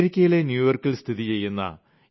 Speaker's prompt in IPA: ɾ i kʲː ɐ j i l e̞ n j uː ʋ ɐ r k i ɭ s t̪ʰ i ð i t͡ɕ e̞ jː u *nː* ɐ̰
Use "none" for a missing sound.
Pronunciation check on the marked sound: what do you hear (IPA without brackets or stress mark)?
nː